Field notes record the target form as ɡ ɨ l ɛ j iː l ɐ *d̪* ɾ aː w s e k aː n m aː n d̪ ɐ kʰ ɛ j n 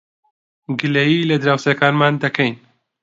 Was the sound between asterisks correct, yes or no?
yes